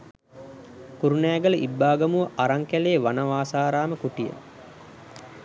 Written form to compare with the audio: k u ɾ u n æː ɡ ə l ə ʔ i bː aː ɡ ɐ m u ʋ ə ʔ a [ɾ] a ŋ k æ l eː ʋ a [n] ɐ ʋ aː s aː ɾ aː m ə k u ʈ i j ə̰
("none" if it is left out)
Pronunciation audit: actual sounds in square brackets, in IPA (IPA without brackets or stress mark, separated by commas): ɾ, n